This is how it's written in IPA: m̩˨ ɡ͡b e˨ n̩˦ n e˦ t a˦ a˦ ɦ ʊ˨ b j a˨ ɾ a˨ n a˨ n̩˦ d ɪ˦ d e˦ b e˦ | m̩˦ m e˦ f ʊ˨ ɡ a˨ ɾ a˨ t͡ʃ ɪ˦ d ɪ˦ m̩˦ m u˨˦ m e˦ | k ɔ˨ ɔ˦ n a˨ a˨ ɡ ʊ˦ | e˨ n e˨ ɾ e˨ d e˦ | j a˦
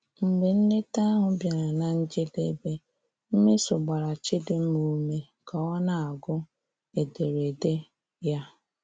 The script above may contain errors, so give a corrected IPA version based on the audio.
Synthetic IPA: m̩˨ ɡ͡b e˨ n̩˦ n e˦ t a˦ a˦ ɦ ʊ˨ b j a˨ ɾ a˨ n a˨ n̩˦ d͡ʒ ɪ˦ d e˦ b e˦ | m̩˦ m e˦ s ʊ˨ ɡ͡b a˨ ɾ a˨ t͡ʃ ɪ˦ d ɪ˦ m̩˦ m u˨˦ m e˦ | k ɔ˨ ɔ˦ n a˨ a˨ ɡ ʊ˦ | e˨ d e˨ ɾ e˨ d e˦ | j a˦